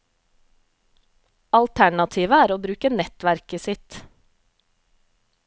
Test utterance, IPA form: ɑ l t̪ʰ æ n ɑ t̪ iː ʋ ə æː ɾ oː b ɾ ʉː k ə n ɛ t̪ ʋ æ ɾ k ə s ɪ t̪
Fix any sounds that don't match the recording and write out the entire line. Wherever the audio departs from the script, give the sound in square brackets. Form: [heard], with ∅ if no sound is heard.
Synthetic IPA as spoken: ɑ l t̪ʰ æ [ɳ] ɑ [t̪ʰ] iː ʋ ə æː ɾ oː b ɾ ʉː k ə n ɛ t̪ ʋ æ ɾ k ə s ɪ t̪